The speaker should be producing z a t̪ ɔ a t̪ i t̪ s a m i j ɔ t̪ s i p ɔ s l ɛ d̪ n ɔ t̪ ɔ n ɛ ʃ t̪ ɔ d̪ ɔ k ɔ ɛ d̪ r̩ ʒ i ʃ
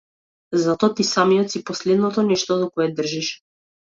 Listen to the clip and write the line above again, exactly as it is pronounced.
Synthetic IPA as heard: z a t̪ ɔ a t̪ i s a m i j ɔ t̪ s i p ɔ s l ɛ d̪ n ɔ t̪ ɔ n ɛ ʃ t̪ ɔ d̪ ɔ k ɔ ɛ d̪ r̩ ʒ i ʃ